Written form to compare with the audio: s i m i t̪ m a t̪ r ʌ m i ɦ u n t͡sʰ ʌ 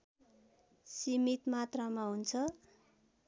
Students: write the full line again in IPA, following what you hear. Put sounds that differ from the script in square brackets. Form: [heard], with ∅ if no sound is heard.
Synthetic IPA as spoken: s i m i t̪ m a t̪ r [a] m [a] ɦ u n t͡sʰ ʌ